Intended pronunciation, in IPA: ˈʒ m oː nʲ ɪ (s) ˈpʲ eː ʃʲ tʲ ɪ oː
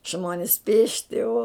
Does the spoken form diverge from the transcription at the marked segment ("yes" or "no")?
no